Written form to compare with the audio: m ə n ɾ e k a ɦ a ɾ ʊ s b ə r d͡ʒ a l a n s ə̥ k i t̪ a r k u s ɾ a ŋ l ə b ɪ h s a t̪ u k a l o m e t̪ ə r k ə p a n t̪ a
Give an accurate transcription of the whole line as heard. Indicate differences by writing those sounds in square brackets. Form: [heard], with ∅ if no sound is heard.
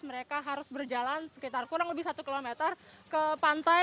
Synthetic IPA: m ə [∅] ɾ e k a ɦ a ɾ ʊ s b ə r d͡ʒ a l a n s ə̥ k i t̪ a r k u [∅] ɾ a ŋ l ə b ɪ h s a t̪ u k [i] l o m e t̪ ə r k ə p a n t̪ a